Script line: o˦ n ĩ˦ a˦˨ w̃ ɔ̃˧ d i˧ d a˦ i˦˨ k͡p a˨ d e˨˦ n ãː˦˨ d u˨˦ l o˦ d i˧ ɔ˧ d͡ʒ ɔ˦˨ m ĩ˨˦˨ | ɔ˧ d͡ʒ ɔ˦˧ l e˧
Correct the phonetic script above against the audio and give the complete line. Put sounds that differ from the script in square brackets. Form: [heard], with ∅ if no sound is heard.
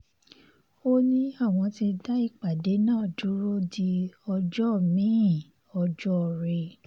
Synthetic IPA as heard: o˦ n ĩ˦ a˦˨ w̃ ɔ̃˧ [t] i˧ d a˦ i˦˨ k͡p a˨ d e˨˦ n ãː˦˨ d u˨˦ [ɾ] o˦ d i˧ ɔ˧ d͡ʒ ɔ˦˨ m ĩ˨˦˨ | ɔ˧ d͡ʒ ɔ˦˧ [ɾ] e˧